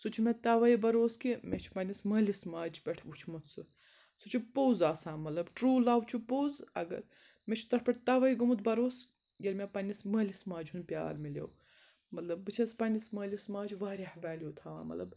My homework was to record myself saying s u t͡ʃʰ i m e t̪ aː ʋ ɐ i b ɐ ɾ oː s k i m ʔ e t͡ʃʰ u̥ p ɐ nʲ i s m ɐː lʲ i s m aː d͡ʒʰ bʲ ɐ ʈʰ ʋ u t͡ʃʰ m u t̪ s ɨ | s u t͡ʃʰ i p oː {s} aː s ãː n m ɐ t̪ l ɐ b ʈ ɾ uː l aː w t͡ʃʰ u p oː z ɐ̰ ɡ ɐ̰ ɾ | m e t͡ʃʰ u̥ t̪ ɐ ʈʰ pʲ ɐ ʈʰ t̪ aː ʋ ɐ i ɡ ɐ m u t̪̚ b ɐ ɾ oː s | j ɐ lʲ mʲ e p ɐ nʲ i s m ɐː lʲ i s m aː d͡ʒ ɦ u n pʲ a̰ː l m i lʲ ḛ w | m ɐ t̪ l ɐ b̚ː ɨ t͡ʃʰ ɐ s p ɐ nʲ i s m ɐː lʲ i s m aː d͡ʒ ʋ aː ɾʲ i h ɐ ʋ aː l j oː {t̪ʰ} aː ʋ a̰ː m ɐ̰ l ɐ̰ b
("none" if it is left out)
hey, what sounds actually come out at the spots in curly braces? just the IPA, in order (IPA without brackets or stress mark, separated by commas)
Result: z, t̪ʰ